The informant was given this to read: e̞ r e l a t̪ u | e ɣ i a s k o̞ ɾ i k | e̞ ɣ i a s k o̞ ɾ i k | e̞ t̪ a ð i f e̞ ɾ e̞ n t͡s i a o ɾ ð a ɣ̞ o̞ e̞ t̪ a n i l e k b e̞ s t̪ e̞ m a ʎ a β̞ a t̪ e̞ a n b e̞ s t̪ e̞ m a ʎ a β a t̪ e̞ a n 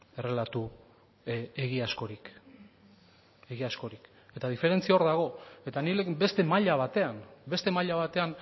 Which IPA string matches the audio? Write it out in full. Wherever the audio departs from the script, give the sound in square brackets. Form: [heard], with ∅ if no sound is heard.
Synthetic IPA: e̞ r e l a t̪ u | e ɣ i a s k o̞ ɾ i k | e̞ ɣ i a s k o̞ ɾ i k | e̞ t̪ a ð i f e̞ ɾ e̞ n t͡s i a o ɾ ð a ɣ̞ o̞ e̞ t̪ a n i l e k b e̞ s t̪ e̞ m a ʎ a β̞ a t̪ e̞ a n b e̞ s t̪ e̞ m a ʎ a β a t̪ e̞ a n